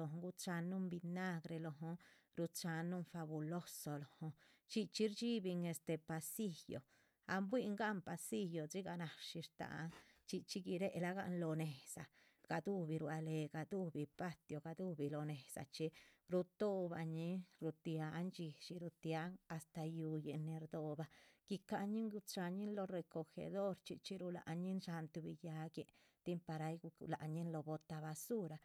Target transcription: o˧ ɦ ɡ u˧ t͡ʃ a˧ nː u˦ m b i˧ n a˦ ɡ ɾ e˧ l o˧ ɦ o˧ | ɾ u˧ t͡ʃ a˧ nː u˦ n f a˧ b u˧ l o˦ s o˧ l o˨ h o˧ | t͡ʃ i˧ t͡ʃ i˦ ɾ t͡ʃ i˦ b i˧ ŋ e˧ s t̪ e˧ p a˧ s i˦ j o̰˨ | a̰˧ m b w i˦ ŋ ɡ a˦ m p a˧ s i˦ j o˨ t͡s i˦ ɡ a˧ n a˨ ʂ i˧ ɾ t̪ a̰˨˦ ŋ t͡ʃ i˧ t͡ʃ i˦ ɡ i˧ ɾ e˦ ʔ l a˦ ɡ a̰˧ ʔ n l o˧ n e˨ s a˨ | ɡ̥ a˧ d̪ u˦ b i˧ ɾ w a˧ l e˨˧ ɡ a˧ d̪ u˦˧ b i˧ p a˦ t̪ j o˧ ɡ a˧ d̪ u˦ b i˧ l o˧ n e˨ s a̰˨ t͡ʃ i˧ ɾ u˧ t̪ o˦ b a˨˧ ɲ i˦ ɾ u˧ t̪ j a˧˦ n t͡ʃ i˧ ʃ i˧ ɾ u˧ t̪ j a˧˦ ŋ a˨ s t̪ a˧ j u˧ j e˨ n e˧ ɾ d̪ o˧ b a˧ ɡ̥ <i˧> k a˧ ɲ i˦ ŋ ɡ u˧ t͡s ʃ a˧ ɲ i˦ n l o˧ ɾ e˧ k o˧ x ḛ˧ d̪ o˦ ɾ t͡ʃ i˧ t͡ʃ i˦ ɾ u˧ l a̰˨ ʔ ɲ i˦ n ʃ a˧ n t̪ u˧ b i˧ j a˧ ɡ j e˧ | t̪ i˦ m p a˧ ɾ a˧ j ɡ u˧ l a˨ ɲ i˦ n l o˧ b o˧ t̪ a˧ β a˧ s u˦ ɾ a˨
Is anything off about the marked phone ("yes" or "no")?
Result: no